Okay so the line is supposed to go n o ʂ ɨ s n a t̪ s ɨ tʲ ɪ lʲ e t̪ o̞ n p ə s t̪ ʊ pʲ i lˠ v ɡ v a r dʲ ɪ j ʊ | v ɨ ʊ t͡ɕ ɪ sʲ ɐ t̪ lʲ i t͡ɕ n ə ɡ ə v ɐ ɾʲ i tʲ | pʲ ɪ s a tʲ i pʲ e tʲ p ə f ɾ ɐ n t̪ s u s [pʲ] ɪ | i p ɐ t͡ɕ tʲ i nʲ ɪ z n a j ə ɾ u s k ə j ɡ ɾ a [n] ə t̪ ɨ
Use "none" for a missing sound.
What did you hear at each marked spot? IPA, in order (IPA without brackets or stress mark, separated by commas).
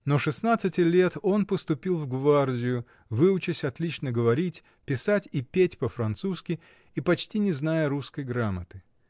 kʲ, m